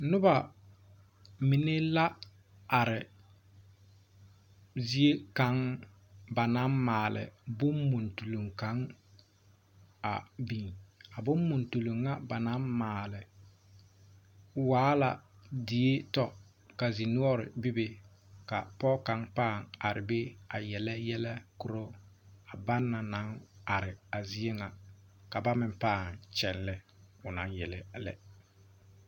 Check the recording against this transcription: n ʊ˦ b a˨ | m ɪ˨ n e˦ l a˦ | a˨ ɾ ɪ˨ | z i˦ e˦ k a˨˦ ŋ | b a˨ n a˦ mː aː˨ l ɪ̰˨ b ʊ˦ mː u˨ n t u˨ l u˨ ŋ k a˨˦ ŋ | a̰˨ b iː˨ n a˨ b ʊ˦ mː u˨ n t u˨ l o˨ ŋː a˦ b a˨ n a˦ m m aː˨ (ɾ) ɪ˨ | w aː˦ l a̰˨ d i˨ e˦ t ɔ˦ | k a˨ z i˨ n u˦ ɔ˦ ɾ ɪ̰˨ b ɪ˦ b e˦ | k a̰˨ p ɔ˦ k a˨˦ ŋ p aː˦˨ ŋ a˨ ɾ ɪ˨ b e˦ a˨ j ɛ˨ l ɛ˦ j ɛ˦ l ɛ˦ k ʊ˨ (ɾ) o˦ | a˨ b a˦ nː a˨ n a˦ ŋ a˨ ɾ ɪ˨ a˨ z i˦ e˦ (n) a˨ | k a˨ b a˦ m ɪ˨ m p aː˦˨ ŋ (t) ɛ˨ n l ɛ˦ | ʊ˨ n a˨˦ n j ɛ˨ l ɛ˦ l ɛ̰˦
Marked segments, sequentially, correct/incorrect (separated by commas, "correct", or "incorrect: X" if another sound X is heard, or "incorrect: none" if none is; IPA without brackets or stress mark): incorrect: l, correct, incorrect: ŋ, incorrect: t͡ʃ